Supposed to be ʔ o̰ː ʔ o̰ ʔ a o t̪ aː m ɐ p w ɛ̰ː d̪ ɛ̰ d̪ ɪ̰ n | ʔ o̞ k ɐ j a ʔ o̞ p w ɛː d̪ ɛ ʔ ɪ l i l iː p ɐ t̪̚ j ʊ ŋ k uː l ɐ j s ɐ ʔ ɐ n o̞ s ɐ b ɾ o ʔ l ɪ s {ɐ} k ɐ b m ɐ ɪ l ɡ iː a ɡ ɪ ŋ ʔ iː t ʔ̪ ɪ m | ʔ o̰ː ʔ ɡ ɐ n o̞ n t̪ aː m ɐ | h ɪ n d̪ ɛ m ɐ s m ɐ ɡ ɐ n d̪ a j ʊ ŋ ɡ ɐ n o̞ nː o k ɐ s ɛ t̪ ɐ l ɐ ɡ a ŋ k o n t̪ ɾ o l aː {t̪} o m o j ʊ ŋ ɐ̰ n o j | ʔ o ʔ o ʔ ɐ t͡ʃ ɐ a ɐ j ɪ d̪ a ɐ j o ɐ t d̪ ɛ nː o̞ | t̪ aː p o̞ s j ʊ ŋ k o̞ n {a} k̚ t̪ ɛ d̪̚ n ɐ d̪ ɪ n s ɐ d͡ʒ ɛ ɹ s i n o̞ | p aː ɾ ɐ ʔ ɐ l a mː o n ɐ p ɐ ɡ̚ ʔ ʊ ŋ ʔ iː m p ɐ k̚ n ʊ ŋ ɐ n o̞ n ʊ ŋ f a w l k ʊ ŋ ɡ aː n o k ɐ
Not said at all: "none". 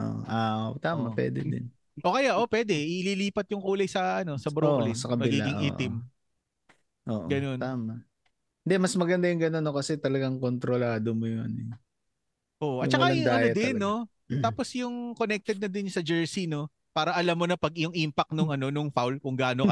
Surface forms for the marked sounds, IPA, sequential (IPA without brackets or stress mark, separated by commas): ɐ, d̪, ɛ